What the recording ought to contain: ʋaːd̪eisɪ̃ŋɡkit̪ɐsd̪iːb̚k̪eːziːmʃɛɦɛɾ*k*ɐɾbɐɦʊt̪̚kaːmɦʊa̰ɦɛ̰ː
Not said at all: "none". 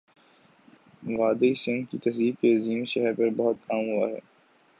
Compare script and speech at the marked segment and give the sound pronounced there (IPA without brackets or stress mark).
p